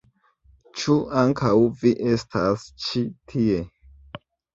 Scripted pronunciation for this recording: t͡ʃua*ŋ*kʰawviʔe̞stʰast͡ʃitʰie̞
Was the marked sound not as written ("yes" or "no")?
no